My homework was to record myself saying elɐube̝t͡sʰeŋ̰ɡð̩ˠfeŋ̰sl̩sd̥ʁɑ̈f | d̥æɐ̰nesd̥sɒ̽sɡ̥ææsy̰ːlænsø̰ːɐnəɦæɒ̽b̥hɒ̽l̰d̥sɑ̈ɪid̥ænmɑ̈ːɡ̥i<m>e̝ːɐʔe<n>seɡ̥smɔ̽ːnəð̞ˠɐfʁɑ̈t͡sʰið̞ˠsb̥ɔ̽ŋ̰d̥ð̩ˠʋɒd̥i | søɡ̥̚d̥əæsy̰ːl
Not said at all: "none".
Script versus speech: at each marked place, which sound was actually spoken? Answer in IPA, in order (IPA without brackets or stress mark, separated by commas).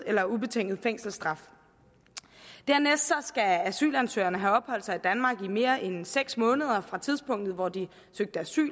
m, n